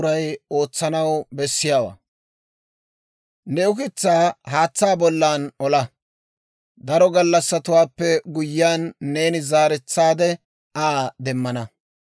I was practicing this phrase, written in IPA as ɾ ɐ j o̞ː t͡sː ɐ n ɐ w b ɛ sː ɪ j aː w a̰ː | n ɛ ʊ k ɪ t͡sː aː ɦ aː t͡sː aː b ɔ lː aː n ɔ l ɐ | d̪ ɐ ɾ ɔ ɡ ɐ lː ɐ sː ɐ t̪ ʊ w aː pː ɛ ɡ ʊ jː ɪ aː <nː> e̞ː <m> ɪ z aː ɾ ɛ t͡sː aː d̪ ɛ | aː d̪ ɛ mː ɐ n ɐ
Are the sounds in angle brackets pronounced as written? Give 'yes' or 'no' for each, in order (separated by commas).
yes, no